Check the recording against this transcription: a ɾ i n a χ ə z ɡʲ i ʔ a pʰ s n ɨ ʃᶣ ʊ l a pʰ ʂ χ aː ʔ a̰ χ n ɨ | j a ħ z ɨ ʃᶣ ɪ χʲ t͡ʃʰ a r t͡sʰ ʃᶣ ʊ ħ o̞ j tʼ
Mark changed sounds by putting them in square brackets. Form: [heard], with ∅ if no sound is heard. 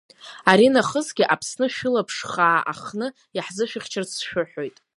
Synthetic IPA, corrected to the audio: a ɾ i n a χ ə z ɡʲ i ʔ a pʰ s n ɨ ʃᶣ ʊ l a pʰ ʂ χ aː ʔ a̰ χ n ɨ | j a ħ z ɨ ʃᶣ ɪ χʲ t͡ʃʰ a r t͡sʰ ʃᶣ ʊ ħ o̞ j tʼ